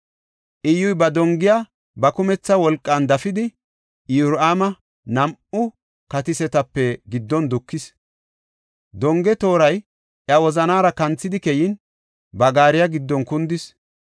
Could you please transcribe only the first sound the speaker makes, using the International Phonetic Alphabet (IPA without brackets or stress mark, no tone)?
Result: ʔ